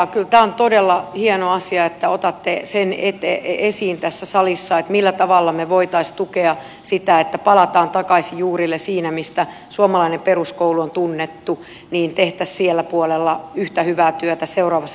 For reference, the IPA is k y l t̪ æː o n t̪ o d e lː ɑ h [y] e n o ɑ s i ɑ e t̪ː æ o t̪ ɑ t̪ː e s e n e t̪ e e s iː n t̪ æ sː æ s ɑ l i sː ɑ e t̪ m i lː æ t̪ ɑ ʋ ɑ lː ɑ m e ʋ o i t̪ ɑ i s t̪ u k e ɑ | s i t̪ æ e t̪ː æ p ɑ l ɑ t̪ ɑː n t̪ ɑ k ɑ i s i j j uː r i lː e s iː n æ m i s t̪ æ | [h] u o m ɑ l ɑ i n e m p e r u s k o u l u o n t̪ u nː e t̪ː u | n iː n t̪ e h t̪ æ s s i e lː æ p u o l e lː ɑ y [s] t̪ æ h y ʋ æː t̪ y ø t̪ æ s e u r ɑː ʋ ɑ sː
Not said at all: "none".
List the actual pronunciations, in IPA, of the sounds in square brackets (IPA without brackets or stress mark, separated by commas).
i, s, h